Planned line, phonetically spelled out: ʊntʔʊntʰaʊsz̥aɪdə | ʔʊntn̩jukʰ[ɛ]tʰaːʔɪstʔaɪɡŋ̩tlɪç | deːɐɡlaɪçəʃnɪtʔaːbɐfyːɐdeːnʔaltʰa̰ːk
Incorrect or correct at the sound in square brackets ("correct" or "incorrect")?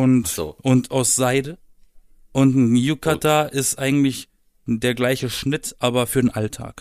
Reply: incorrect